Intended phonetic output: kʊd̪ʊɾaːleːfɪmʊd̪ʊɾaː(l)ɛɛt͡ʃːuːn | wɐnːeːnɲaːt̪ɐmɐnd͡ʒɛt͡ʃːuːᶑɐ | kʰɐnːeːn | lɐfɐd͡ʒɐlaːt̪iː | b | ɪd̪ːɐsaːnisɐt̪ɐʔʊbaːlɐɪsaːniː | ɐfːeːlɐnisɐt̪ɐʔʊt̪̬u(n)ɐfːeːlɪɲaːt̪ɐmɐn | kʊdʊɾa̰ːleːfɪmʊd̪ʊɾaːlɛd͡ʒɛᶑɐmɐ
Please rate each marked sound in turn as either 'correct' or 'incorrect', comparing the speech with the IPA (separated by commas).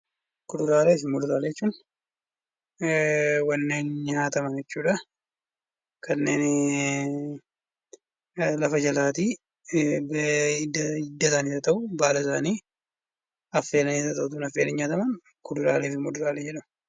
correct, correct